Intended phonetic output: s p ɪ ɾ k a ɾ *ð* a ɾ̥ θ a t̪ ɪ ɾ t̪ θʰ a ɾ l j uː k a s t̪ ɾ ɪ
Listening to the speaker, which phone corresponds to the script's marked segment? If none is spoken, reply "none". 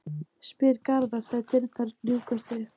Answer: ð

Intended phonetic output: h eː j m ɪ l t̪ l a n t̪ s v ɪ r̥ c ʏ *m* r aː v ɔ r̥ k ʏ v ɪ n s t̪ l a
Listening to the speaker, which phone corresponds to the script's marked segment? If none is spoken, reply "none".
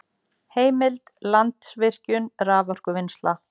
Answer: n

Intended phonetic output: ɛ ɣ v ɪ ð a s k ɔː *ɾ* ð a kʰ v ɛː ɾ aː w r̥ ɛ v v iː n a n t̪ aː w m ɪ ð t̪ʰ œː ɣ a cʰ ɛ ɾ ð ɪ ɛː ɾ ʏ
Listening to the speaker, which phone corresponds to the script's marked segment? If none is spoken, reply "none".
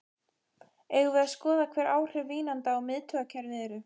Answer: none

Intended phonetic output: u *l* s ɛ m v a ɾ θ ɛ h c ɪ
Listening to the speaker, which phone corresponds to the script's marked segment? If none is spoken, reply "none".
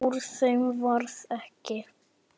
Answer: ɾ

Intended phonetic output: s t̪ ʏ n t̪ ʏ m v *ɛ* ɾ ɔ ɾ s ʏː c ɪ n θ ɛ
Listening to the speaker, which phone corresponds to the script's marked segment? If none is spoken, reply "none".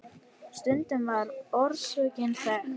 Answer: a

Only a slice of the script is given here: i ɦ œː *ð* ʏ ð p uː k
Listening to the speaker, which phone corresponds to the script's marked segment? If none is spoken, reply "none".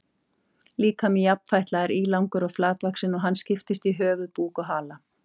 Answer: v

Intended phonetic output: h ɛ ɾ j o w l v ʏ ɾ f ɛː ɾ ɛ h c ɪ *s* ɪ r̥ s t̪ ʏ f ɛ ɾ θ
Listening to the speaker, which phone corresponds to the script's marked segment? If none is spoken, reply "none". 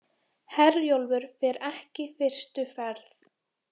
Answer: f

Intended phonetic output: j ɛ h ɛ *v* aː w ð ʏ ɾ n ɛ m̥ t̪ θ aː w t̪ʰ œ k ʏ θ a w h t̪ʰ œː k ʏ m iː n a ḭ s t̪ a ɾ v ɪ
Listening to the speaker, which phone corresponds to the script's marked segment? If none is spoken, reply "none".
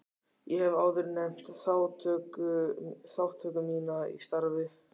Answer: v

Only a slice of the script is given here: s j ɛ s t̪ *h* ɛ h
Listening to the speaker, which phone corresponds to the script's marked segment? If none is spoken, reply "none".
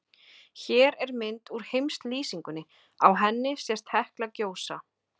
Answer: h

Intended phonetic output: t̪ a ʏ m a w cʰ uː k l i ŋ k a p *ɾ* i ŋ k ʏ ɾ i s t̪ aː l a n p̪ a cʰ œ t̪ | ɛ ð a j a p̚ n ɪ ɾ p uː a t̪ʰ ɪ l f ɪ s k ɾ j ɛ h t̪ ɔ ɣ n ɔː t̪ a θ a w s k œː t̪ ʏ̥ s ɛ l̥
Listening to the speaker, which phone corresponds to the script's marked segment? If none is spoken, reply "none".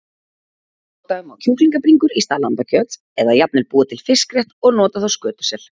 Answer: ɾ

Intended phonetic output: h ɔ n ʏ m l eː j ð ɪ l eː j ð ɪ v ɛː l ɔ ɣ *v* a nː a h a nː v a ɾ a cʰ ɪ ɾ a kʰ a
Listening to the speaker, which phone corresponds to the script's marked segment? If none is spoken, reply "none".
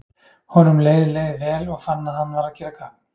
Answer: f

